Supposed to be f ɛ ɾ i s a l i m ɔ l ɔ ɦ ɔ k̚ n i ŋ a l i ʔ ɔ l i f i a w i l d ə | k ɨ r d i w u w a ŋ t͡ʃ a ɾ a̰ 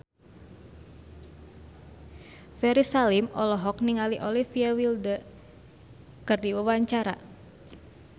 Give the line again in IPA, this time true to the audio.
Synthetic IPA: f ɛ ɾ i s a l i m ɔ l ɔ ɦ ɔ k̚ n i ŋ a l i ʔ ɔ l i f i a w i l d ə | k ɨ r d i w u w a ɲ t͡ʃ a ɾ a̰